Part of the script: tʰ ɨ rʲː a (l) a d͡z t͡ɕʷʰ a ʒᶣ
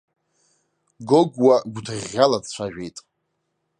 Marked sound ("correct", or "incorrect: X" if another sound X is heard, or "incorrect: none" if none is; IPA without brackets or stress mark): correct